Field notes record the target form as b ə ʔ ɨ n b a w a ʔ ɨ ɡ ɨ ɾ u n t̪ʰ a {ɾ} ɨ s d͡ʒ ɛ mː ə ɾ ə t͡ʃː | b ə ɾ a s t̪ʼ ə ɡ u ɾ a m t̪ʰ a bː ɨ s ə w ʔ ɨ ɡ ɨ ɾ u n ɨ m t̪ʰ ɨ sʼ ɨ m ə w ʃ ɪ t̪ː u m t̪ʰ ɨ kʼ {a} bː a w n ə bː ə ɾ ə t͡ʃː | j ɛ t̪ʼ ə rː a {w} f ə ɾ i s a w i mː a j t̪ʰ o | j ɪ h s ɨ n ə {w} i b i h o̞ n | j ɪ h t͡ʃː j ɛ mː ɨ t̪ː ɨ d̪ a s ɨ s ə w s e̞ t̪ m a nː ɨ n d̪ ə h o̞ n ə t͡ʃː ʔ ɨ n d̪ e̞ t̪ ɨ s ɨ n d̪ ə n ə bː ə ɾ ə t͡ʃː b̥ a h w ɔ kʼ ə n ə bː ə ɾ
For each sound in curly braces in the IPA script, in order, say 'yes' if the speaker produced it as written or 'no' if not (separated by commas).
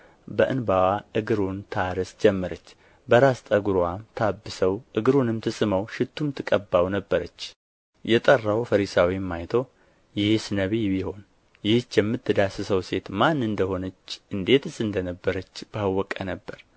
yes, no, yes, no